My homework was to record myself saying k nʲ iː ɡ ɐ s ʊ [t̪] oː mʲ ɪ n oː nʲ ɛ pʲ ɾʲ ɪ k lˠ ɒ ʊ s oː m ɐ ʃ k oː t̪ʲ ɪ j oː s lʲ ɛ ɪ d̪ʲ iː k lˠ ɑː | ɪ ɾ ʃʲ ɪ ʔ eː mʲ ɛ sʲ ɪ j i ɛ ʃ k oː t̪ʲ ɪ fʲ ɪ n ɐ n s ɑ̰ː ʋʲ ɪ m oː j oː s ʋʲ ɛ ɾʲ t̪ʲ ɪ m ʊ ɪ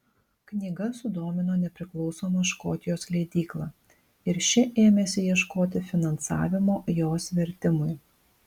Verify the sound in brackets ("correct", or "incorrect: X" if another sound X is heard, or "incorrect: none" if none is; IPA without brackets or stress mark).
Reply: incorrect: d̪